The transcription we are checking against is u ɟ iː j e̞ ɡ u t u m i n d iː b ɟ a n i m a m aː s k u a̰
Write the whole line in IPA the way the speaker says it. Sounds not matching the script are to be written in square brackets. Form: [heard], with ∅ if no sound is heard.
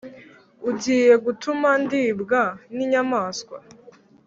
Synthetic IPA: u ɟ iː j e̞ ɡ u t u m [a] n d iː b [ɡ] a n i [ɲ] a m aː s k [w] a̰